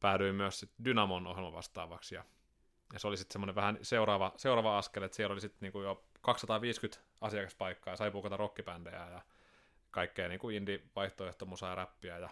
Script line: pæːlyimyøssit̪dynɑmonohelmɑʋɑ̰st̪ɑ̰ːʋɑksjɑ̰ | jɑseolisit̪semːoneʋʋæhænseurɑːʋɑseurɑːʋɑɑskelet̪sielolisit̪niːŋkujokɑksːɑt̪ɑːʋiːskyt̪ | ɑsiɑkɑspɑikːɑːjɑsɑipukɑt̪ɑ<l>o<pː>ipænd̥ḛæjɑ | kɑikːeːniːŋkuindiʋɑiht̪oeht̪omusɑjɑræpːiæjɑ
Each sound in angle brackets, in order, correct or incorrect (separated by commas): incorrect, incorrect